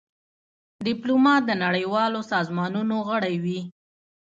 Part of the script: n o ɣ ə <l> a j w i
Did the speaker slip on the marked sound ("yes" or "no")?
yes